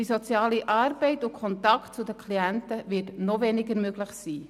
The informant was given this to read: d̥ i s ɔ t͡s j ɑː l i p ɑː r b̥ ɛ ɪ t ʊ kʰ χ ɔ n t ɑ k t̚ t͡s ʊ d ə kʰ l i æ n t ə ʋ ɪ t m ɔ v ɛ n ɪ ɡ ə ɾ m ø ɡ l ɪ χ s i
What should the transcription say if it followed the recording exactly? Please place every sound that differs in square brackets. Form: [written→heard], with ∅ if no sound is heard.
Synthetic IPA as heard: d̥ i s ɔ t͡s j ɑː l i [p→ʔ] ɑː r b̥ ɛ ɪ t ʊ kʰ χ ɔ n t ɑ k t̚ t͡s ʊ d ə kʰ l i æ n t ə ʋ ɪ t [m→n] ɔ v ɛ n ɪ ɡ ə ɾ m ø ɡ l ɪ χ s [i→iː]